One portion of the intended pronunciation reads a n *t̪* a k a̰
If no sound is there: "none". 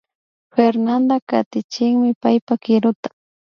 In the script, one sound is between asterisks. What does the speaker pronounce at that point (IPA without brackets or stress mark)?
d̪